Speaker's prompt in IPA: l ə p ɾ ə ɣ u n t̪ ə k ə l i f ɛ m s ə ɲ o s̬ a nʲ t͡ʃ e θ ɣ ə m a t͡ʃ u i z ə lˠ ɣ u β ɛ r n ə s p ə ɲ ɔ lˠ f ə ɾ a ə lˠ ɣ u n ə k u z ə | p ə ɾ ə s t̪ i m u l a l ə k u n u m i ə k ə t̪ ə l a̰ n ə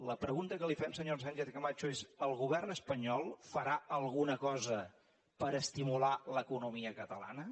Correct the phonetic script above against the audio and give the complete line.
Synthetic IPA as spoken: l ə p ɾ ə ɣ u n t̪ ə k ə l i f ɛ m s ə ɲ o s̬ a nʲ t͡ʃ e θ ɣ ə m a t͡ʃ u e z ə lˠ ɣ u β ɛ r n ə s p ə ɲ ɔ lˠ f ə ɾ a ə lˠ ɣ u n ə k ɔ z ə | p ə ɾ ə s t̪ i m u l a l ə k u n u m i ə k ə t̪ ə l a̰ n ə

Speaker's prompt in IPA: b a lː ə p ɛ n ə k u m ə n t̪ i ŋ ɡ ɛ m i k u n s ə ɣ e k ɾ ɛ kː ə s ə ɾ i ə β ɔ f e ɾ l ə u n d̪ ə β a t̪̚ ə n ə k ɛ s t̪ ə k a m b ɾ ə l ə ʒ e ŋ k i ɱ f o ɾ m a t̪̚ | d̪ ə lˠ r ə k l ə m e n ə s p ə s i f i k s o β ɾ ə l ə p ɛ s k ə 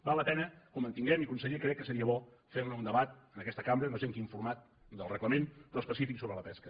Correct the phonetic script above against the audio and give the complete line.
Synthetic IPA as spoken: b a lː ə p ɛ n ə k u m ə n t̪ i ŋ ɡ ɛ m i k u n s ə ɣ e k ɾ ɛ kː ə s ə ɾ i ə β ɔ f e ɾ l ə u n d̪ ə β a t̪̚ ə n ə k ɛ s t̪ ə k a m b ɾ ə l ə ʒ e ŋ k i ɱ f u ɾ m a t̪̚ | d̪ ə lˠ r ə k l ə m e n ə s p ə s i f i k s o β ɾ ə l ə p ɛ s k ə

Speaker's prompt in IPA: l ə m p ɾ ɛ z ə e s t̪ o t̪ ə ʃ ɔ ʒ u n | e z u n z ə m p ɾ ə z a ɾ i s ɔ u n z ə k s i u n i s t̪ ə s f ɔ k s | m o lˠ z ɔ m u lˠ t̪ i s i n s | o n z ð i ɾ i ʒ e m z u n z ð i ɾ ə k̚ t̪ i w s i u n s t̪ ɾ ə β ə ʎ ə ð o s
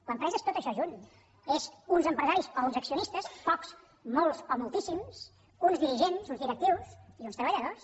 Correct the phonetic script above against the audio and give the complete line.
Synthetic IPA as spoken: l ə m p ɾ ɛ z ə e s t̪ o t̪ ə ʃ ɔ ʒ u n | e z u n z ə m p ɾ ə z a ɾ i s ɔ u n z ə k s i u n i s t̪ ə s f ɔ k s | m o lˠ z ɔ m u lˠ t̪ i s i m s | u n z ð i ɾ i ʒ e n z u n z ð i ɾ ə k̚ t̪ i w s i u n s t̪ ɾ ə β ə ʎ ə ð o s

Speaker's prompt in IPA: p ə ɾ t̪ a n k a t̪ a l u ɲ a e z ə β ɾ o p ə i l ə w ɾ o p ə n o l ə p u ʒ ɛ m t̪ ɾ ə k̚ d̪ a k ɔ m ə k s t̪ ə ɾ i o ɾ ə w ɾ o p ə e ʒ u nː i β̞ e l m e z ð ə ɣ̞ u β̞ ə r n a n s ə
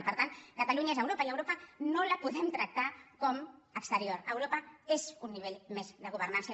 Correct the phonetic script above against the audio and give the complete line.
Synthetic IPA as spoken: p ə ɾ t̪ a n k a t̪ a l u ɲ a e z ə w ɾ o p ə i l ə w ɾ o p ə n o l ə p u ð ɛ m t̪ ɾ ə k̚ t̪ a k ɔ m ə k s t̪ ə ɾ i o ɾ ə w ɾ o p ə e z u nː i β̞ e ʎ m e z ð ə ɣ̞ u β̞ ə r n a n s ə

